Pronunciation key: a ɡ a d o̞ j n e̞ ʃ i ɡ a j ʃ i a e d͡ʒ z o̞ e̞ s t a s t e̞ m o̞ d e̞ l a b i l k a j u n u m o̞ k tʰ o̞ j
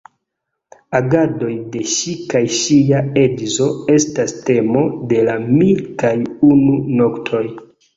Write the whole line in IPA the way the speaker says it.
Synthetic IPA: a ɡ a d o̞ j d e̞ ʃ i k a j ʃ i a e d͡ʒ z o̞ e̞ s t a s t e̞ m o̞ d e̞ l a m i l k a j u n u n o̞ k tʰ o̞ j